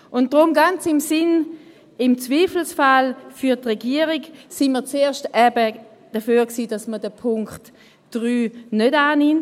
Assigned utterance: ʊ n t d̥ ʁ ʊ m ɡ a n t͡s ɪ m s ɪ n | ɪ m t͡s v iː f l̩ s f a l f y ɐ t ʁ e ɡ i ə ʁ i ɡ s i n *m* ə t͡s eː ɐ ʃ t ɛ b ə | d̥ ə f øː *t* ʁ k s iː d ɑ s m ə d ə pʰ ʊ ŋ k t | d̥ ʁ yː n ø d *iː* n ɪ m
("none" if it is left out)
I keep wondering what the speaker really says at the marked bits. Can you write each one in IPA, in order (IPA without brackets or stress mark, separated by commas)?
m, none, aː